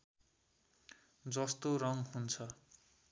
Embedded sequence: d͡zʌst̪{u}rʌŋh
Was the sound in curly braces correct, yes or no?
no